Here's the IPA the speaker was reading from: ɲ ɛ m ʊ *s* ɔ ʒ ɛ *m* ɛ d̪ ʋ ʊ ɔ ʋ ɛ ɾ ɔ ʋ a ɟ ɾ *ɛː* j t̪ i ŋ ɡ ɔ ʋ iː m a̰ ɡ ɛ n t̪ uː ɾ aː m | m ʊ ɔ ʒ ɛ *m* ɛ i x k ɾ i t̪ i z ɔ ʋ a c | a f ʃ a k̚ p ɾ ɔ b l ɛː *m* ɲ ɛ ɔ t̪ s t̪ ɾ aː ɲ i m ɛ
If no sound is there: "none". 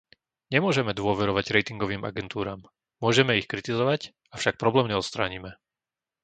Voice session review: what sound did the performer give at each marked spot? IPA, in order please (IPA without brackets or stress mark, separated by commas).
none, m, ɛ, m, m